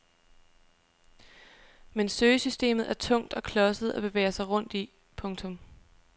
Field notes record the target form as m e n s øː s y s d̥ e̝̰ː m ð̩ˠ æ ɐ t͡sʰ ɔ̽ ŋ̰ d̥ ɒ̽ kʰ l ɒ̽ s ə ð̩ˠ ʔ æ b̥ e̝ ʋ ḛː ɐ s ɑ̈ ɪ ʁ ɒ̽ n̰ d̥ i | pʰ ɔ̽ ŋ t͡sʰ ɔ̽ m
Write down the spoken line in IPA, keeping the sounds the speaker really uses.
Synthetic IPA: m e n s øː s y s d̥ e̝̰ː m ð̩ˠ æ ɐ t͡sʰ ɔ̽ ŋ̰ d̥ ɒ̽ kʰ l ɒ̽ s ə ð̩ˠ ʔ æ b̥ e̝ ʋ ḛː ɐ s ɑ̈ ɪ ʁ ɔ̽ n̰ d̥ i | pʰ ɔ̽ ŋ t͡sʰ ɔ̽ m